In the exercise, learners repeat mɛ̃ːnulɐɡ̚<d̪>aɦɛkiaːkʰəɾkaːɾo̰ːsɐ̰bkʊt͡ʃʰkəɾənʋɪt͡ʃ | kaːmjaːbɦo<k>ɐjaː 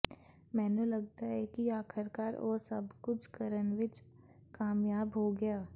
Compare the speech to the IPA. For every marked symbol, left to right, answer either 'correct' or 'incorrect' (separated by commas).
incorrect, incorrect